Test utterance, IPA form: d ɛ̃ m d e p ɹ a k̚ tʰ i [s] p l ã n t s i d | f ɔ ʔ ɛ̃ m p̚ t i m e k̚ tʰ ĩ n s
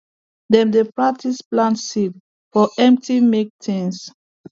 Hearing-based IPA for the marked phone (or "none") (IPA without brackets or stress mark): s